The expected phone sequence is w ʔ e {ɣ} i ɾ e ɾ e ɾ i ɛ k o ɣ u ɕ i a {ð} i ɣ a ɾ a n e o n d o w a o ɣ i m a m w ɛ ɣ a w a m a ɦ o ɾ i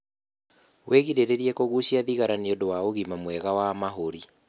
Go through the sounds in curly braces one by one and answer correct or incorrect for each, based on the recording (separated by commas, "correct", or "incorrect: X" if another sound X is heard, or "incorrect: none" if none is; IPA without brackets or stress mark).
correct, correct